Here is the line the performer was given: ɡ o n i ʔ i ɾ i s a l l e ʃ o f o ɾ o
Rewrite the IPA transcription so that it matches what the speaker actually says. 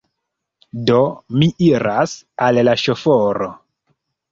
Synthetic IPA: d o m i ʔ i ɾ a s a l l a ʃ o f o ɾ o